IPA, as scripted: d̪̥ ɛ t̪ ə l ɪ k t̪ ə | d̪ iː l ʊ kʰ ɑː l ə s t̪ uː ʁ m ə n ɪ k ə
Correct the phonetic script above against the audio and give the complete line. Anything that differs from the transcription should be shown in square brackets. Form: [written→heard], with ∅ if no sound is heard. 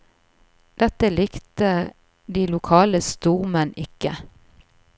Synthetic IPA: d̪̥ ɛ t̪ ə l ɪ k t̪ ə | d̪ iː l ʊ kʰ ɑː l ə s t̪ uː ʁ m ə n ɪ k ə